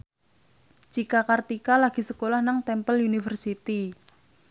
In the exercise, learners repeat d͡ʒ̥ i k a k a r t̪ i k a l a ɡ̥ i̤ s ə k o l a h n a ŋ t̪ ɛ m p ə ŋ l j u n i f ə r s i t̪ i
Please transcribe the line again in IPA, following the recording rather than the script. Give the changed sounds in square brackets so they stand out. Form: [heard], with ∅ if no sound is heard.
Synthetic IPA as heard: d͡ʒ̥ i k a k a r t̪ i k a l a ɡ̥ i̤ s ə k o l a h n a ŋ t̪ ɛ m p ə [∅] l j u n i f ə r s i t̪ i